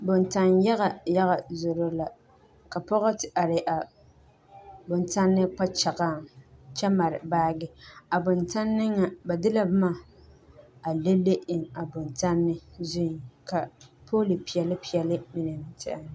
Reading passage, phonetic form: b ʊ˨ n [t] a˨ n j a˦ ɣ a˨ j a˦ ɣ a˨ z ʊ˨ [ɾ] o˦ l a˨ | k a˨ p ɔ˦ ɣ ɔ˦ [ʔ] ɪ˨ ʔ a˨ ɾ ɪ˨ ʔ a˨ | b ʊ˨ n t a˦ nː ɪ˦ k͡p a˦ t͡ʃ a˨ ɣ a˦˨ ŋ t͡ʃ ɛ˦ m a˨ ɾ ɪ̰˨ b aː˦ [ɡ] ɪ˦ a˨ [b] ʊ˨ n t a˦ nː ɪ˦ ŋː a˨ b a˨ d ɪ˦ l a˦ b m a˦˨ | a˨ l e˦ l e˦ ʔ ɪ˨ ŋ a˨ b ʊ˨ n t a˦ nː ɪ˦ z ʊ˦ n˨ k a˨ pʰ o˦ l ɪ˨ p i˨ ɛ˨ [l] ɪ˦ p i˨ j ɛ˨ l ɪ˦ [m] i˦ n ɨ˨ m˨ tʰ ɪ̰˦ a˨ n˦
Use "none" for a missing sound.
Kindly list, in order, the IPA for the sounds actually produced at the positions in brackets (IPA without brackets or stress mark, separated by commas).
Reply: t, ɾ, t, ɡ, b, l, m